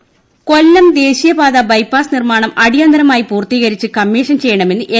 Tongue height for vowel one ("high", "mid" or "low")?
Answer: mid